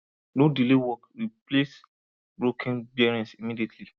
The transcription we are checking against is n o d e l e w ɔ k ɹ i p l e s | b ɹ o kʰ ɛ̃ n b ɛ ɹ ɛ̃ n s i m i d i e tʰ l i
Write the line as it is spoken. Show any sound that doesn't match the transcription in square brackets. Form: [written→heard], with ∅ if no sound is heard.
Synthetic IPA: n o d [e→i] l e w ɔ k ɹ i p l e s | b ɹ o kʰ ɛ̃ n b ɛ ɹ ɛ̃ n s i m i d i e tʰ l i